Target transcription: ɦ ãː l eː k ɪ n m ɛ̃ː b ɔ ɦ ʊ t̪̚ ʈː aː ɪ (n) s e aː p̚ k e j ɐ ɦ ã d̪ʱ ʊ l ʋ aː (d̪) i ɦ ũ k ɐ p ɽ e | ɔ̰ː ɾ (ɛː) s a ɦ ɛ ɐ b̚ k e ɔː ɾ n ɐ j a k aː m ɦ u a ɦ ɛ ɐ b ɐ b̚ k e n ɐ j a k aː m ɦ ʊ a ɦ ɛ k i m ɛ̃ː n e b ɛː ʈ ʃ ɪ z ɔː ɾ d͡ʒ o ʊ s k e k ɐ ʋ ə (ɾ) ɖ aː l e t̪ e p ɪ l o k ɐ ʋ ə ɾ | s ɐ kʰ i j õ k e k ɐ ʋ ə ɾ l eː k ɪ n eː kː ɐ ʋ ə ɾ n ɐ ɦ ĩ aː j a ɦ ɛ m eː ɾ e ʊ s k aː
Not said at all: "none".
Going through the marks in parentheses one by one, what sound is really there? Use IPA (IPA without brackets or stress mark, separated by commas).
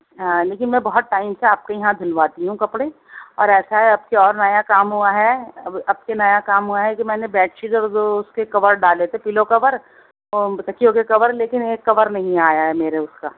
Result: m, t̪, ɛː, ɾ